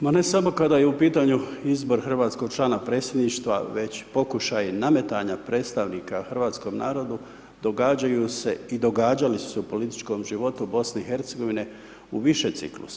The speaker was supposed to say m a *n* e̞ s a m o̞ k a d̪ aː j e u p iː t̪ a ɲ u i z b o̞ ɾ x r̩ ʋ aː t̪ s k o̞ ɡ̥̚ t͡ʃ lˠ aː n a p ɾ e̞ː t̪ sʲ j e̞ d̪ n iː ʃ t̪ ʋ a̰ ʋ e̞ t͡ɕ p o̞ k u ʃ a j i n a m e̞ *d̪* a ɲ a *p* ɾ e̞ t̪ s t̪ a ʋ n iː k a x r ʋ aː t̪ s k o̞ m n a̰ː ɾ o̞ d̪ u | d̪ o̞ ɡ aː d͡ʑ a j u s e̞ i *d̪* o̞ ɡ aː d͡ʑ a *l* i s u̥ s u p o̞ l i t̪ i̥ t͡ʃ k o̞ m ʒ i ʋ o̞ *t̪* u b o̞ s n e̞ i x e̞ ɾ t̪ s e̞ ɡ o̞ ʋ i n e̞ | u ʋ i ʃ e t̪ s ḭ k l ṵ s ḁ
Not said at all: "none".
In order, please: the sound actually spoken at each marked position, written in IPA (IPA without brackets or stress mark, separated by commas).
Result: n, t̪, p, d̪, l, t̪